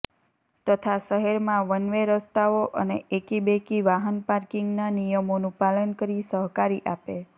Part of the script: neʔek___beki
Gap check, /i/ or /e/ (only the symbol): i